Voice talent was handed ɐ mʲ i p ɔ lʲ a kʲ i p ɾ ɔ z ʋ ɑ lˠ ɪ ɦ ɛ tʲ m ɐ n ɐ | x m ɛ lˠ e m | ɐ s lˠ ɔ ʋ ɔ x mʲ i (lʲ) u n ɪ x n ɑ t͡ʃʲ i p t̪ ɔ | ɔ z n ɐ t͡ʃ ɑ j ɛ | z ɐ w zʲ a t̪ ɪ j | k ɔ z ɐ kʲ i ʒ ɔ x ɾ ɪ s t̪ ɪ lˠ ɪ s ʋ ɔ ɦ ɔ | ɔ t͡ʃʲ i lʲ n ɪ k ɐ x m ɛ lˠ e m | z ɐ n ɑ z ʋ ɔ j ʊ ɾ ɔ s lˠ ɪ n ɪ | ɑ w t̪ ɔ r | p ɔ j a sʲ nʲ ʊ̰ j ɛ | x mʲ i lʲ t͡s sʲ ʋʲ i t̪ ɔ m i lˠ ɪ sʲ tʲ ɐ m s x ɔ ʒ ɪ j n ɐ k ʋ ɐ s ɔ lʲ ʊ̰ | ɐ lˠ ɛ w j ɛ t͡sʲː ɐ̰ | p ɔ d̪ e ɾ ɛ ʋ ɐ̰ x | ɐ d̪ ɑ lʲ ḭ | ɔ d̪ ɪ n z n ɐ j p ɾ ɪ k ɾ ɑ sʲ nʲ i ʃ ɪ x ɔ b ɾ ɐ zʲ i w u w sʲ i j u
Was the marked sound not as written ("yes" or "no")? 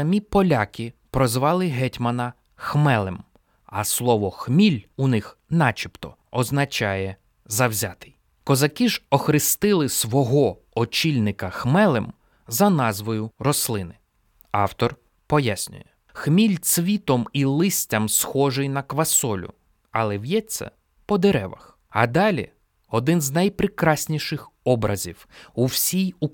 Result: no